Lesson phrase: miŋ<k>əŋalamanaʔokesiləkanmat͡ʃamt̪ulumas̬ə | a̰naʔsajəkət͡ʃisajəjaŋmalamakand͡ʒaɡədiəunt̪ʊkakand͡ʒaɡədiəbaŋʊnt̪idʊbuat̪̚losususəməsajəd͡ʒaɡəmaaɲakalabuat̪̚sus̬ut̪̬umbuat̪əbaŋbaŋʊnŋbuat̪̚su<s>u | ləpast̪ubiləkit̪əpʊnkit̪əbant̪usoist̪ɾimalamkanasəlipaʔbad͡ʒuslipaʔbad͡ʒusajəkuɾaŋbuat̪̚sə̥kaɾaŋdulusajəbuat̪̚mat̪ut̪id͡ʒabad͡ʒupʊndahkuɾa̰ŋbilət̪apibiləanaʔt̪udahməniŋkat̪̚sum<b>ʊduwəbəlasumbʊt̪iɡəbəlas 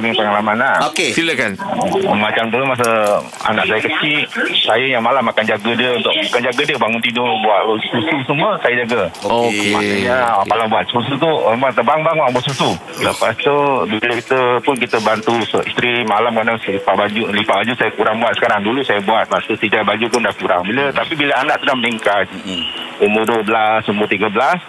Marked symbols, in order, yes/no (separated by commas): no, yes, yes